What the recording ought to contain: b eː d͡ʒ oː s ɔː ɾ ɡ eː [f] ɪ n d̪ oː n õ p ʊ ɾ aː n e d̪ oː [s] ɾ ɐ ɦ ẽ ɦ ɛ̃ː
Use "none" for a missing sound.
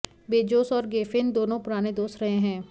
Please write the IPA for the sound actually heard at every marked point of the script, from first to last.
f, s

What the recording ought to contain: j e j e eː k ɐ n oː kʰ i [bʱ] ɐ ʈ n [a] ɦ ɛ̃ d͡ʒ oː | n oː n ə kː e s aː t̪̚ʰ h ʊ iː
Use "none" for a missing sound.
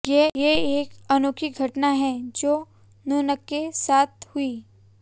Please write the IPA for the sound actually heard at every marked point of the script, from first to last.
ɡʱ, a

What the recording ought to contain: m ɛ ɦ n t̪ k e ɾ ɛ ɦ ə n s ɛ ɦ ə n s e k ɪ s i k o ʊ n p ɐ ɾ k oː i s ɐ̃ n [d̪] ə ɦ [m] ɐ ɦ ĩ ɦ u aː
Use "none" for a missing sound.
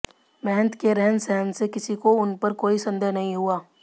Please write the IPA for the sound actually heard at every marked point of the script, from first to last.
d̪, n

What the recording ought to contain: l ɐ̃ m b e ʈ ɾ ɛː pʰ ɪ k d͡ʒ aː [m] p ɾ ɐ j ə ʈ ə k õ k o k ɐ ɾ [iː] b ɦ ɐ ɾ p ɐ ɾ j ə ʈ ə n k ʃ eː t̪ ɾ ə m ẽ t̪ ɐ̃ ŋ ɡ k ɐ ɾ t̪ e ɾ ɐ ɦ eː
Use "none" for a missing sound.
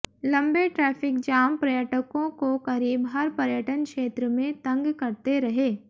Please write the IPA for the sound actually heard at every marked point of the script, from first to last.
m, iː

